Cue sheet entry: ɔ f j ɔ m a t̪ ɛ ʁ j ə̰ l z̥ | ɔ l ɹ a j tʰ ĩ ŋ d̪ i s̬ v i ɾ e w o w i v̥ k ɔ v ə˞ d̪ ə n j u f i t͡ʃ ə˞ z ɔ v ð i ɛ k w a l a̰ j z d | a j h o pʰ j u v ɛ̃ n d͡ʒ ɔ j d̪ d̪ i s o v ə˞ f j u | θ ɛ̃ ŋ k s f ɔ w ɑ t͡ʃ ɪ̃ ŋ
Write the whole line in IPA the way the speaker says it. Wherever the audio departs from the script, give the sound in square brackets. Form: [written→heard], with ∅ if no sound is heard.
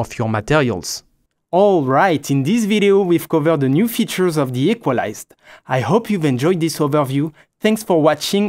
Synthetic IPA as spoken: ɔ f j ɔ m a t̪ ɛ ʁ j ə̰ l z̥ | ɔ l ɹ a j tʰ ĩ [ŋ→n] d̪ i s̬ v i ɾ e [w→∅] o w i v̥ k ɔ v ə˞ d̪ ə n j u f i t͡ʃ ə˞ z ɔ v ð i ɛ k w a l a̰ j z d | a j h o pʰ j u v ɛ̃ n d͡ʒ ɔ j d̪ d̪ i s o v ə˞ [f→v] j u | θ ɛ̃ ŋ k s f ɔ w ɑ t͡ʃ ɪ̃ ŋ